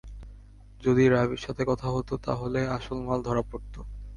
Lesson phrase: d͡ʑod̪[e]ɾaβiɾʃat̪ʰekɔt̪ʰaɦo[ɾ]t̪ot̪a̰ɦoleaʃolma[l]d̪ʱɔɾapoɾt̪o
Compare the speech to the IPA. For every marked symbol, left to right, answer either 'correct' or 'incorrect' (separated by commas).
incorrect, incorrect, correct